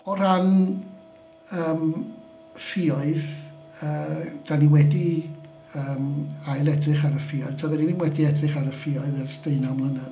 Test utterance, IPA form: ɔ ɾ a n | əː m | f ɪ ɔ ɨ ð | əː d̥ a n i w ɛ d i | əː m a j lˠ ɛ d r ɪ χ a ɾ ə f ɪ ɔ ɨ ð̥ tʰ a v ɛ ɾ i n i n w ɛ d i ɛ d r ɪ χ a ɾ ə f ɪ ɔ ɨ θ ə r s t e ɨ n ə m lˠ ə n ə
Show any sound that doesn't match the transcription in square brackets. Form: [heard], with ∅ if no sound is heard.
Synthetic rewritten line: ɔ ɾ a n | əː m | f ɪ ɔ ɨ ð | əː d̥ a n i w ɛ d i | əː m a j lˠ ɛ d r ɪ χ a ɾ ə f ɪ ɔ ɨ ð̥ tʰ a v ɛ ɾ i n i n w ɛ d i ɛ d r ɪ χ a ɾ ə f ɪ ɔ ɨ [ð] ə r s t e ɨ n [a] m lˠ ə n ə